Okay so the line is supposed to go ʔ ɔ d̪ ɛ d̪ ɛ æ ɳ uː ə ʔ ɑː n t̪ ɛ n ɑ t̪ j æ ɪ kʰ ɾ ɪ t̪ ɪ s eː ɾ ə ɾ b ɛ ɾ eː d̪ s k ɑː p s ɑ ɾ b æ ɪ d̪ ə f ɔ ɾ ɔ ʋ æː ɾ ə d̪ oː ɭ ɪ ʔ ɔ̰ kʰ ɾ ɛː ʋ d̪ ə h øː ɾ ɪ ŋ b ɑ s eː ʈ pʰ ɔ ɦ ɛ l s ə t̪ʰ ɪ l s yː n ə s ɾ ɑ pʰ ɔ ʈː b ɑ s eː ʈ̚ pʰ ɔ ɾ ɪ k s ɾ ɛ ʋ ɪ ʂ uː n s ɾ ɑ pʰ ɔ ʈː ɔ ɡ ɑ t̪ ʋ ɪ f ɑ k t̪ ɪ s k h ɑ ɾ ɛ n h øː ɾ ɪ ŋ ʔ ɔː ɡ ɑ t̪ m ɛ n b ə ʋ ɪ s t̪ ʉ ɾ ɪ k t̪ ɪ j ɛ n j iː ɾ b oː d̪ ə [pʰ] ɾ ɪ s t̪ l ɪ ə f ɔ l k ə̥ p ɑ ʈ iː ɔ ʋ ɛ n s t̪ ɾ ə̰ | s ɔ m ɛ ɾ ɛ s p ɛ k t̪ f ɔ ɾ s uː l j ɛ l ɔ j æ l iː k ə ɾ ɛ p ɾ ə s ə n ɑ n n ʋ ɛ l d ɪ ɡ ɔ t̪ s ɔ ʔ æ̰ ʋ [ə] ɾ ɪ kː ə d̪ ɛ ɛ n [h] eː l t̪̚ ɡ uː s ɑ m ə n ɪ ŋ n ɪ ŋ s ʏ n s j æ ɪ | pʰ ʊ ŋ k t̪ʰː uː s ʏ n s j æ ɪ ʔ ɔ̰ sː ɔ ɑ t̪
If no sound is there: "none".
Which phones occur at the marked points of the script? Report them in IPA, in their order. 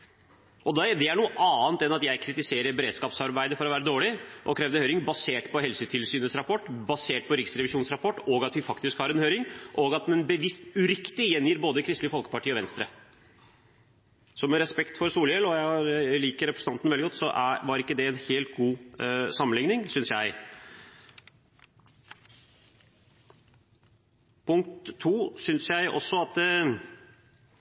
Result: kʰ, ɑ, h

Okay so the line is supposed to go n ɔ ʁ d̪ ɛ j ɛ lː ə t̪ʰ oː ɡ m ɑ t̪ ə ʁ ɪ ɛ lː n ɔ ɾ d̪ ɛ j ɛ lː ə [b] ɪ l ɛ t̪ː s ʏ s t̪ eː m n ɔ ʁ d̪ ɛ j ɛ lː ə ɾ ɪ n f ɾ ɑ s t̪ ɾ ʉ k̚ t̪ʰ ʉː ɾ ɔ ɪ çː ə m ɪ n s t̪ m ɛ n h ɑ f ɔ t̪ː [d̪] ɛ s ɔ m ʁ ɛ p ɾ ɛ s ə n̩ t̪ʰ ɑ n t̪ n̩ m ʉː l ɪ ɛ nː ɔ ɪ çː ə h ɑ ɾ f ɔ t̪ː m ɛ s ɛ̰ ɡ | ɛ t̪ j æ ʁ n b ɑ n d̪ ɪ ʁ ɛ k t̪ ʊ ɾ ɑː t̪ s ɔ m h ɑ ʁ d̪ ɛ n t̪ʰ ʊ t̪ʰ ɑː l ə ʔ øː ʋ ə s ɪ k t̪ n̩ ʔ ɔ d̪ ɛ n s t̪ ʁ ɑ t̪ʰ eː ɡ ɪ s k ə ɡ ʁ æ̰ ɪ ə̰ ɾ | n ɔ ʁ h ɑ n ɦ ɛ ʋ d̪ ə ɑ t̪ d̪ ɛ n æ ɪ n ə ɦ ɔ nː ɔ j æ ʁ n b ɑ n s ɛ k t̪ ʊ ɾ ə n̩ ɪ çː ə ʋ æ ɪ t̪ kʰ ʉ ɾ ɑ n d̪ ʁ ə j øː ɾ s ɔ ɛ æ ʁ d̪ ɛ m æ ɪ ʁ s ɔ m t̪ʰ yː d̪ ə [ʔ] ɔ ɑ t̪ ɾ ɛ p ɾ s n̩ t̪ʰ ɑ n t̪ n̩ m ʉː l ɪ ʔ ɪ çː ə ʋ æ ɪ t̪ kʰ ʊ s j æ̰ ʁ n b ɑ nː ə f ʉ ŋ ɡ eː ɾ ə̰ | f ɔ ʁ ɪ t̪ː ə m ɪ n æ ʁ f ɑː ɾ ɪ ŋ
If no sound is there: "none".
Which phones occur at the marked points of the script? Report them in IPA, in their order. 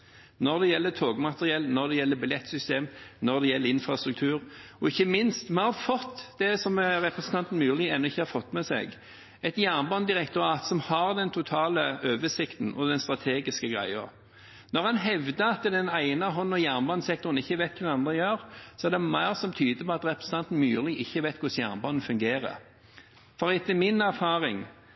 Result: b, d̪, p

